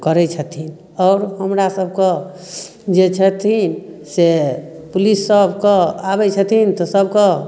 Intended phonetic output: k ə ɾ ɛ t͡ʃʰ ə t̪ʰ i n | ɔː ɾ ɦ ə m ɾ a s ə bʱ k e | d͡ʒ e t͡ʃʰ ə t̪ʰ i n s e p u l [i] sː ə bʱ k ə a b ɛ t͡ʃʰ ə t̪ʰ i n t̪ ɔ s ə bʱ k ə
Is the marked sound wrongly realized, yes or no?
no